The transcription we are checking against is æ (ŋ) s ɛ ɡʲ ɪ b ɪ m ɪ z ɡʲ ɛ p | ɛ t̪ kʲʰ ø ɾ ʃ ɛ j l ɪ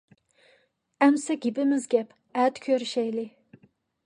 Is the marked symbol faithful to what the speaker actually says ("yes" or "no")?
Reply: no